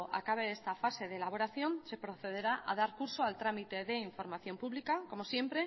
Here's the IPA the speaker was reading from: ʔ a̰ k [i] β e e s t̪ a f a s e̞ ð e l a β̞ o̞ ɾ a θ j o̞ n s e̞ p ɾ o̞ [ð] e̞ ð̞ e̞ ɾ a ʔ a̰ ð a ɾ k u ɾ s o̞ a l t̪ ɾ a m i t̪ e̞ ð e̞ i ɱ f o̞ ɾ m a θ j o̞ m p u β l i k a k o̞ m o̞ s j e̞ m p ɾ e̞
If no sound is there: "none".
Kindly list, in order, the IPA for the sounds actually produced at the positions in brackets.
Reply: a, θ

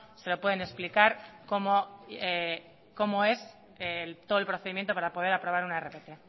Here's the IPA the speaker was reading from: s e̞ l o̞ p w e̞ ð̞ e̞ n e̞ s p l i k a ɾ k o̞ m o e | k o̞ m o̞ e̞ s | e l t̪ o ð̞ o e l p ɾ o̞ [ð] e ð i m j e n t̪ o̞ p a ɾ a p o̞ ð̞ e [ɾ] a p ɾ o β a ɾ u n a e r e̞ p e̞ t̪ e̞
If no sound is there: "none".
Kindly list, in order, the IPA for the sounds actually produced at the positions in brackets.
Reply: θ, ɾ

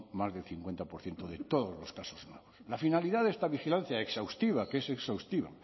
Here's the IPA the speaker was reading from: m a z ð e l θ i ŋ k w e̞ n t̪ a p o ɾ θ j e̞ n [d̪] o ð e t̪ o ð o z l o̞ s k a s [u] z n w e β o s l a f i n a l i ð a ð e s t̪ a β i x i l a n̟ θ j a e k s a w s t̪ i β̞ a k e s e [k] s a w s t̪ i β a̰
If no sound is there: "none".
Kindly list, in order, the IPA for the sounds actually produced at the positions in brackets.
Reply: t̪, o, k

